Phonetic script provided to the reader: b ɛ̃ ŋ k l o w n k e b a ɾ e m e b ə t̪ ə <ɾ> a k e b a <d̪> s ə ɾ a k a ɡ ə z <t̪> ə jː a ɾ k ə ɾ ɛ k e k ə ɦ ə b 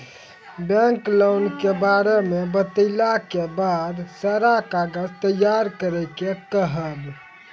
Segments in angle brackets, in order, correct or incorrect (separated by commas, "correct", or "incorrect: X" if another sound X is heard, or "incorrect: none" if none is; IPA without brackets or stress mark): incorrect: l, correct, correct